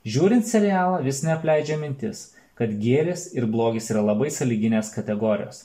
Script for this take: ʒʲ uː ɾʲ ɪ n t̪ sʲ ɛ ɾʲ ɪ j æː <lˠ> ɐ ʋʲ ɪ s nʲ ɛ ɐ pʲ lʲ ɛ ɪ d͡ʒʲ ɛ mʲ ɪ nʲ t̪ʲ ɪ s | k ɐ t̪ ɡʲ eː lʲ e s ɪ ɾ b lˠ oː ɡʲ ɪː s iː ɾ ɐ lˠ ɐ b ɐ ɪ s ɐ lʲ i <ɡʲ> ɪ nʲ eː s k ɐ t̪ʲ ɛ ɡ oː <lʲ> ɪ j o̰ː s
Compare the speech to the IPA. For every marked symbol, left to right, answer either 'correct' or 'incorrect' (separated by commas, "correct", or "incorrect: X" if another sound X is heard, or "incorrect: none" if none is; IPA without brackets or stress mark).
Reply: correct, correct, incorrect: ɾʲ